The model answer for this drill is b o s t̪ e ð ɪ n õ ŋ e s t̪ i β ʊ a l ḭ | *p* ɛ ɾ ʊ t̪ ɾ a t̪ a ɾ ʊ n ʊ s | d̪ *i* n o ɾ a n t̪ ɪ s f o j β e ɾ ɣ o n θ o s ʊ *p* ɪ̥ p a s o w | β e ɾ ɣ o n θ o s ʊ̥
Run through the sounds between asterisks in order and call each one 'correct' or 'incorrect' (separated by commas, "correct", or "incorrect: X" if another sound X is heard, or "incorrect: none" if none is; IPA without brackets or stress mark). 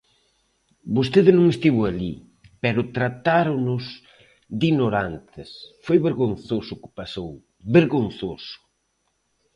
correct, correct, incorrect: k